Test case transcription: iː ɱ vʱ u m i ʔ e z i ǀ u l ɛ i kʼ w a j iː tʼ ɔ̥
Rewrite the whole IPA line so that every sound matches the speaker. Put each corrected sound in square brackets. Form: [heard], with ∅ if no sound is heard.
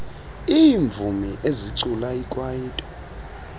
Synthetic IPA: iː ɱ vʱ u m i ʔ e z i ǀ u l [a] i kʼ w a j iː tʼ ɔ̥

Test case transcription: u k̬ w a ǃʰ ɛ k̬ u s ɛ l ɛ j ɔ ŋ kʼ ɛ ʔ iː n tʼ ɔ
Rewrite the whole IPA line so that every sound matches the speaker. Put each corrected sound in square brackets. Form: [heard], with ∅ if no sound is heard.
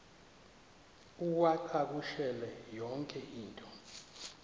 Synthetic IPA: u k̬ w a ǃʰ [a] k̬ u [ʃ] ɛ l ɛ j ɔ ŋ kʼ ɛ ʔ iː n tʼ ɔ

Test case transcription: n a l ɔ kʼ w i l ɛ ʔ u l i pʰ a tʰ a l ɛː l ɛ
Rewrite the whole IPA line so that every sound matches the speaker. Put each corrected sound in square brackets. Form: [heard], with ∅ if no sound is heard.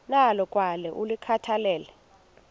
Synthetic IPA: n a l ɔ kʼ w [a] l ɛ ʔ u l i [kʰ] a tʰ a l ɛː l ɛ

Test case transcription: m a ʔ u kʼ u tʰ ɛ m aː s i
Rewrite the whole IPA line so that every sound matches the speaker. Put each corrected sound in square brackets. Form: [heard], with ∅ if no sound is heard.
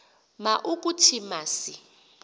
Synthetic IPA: m a ʔ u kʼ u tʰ [i] m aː s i

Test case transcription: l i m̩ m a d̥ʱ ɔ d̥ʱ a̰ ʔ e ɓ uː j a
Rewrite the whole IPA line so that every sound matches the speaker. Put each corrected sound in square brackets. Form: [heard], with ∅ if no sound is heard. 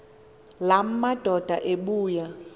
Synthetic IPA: l [a] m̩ m a d̥ʱ ɔ d̥ʱ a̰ ʔ e ɓ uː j a

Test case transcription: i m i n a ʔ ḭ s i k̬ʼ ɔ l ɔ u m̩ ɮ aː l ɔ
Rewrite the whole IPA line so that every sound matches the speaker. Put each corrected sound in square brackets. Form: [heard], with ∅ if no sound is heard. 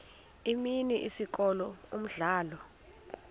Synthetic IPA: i m i n [i] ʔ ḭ s i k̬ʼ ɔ l ɔ u m̩ ɮ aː l ɔ

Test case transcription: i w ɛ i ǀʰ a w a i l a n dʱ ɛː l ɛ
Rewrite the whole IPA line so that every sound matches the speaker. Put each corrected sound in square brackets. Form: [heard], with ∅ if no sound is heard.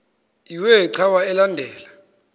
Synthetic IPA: i w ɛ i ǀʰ a w a [ɛ] l a n dʱ ɛː l [a]

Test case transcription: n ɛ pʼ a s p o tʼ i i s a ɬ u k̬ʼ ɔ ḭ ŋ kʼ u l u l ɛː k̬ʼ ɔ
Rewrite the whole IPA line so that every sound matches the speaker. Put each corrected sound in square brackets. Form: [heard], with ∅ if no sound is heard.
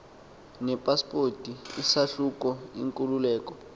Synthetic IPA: n ɛ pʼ a s p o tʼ i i s a ɬ u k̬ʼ ɔ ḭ ŋ kʼ u l u l ɛː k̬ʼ ɔ

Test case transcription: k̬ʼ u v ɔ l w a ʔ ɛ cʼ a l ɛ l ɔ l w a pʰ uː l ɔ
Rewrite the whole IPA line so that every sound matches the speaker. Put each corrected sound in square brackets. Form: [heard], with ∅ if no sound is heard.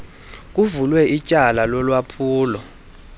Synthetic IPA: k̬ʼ u v [u] l w [ɛ] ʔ [i] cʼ a l [a] l ɔ l w a pʰ uː l ɔ

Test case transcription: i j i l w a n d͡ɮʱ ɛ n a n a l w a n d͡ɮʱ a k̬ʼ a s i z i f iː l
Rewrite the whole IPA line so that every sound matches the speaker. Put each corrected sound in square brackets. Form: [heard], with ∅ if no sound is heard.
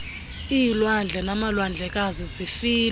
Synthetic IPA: i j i l w a n d͡ɮʱ ɛ n a [m] a l w a n d͡ɮʱ [ɛ] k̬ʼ a [z] i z i f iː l

